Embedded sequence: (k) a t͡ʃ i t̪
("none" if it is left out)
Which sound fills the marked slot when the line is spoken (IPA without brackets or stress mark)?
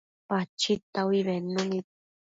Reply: p